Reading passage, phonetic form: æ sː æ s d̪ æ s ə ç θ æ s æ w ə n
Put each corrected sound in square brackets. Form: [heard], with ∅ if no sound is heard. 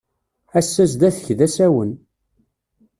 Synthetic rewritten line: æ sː æ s d̪ æ [θ] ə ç [ð] æ s æ w ə n